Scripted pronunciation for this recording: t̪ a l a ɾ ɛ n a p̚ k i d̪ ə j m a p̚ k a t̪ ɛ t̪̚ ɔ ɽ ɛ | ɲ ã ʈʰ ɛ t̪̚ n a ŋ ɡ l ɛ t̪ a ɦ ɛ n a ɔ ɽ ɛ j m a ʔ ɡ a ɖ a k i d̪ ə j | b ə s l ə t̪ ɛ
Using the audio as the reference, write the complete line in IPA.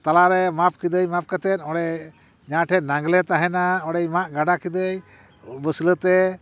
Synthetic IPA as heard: t̪ a l a ɾ ɛ m a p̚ k i d̪ ə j m a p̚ k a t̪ ɛ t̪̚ ɔ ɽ ɛ | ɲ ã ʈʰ ɛ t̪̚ n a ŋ ɡ l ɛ t̪ a ɦ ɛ n a ɔ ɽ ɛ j m a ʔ ɡ a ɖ a k i d̪ ə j | b ə s l ə t̪ ɛ